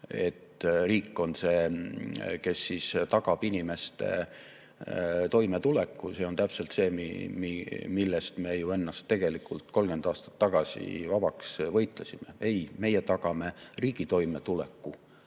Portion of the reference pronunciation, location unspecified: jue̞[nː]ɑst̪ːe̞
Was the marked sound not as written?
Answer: no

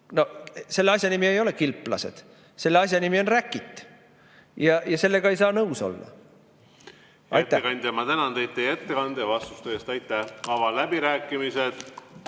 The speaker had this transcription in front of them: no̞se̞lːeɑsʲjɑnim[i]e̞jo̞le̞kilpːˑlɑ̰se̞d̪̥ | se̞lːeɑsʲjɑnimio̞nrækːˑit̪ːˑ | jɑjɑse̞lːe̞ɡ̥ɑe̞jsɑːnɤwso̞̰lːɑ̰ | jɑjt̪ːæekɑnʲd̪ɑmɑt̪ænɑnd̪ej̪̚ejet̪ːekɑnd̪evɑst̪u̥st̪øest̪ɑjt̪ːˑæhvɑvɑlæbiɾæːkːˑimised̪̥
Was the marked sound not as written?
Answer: no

